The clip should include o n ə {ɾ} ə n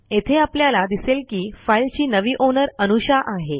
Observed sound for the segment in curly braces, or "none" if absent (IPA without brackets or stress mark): ɾ